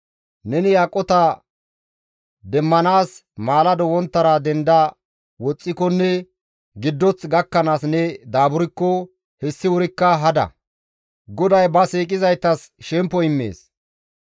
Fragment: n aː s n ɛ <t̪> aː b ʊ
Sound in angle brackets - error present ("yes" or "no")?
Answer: yes